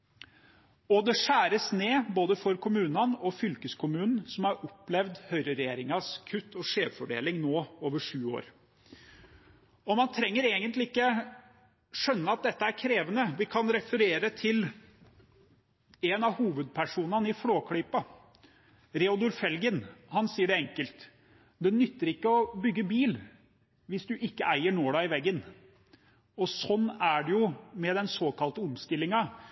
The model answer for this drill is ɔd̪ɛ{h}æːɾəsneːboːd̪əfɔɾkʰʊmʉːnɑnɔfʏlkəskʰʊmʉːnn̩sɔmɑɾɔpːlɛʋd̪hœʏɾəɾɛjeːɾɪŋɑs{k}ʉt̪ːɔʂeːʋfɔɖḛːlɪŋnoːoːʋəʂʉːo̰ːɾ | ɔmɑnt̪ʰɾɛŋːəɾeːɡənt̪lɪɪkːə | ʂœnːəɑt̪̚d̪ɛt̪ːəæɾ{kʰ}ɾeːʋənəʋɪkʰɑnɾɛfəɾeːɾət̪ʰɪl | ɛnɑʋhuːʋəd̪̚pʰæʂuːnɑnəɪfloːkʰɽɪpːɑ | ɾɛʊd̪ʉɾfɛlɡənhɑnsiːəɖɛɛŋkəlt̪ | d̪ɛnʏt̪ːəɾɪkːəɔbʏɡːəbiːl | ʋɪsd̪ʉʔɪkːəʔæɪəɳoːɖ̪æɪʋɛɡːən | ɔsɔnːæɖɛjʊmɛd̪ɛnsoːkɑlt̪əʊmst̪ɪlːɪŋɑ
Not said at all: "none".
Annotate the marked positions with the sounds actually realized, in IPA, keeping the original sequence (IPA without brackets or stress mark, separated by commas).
ʂ, kʰ, kʰ